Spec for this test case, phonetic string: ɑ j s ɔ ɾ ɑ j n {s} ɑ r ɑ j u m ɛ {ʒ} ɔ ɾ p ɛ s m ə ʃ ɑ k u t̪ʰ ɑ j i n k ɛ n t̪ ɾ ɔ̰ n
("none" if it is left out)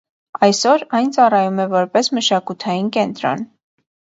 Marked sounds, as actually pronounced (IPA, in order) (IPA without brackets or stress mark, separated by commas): t͡s, v